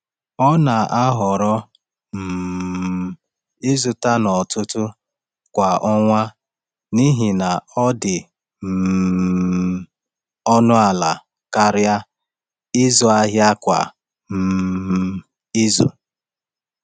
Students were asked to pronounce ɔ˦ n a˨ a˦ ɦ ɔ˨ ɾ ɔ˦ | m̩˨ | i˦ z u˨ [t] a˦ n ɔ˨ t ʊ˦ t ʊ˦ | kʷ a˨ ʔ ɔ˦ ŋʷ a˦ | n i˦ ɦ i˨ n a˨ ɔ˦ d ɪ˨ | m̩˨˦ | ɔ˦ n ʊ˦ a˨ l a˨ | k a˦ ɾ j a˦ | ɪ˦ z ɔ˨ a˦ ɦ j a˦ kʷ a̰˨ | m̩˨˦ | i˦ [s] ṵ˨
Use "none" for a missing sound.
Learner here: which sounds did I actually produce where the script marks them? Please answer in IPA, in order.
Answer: t, z

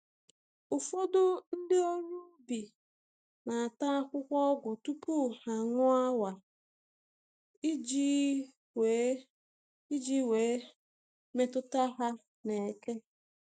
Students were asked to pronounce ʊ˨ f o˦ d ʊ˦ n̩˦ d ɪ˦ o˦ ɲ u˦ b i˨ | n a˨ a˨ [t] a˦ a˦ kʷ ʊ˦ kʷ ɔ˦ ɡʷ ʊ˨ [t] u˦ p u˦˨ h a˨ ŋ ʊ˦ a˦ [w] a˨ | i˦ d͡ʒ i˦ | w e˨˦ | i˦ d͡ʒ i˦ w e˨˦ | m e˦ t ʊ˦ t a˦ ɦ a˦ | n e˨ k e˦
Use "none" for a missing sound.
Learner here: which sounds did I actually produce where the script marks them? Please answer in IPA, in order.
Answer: t, t, w

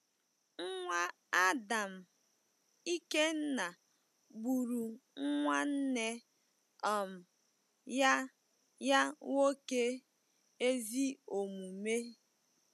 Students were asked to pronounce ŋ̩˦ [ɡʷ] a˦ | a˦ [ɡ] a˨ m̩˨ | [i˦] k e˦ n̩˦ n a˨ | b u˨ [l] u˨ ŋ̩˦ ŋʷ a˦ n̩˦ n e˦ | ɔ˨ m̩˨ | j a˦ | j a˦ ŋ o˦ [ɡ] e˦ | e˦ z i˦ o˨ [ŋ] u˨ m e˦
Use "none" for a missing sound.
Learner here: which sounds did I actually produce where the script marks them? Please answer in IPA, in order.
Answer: ŋʷ, d, i˦, ɾ, k, m

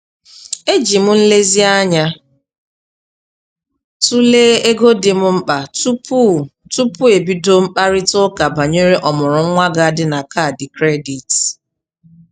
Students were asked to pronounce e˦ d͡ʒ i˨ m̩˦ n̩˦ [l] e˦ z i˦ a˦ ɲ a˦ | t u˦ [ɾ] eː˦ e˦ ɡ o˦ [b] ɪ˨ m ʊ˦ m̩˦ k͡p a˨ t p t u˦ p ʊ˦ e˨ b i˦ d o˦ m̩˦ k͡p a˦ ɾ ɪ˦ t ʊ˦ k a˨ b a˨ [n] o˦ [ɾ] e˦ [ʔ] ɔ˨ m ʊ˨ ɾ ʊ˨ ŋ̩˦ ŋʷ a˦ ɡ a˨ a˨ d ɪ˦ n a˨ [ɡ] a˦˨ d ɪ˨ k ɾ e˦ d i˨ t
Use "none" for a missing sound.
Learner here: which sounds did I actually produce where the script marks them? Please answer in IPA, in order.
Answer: l, l, d, ɲ, ɾ, ʔ, k

